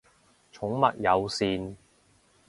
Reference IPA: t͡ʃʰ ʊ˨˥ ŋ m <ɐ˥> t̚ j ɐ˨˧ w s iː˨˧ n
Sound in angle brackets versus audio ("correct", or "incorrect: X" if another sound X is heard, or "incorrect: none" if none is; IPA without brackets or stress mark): incorrect: ɐ˨